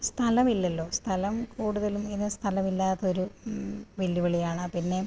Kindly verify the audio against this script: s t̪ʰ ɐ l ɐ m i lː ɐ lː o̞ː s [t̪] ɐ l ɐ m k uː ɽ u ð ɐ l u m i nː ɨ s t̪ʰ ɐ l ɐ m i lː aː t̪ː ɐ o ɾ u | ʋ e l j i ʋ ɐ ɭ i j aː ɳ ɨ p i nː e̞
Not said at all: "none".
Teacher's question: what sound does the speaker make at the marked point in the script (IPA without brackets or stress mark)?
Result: t̪ʰ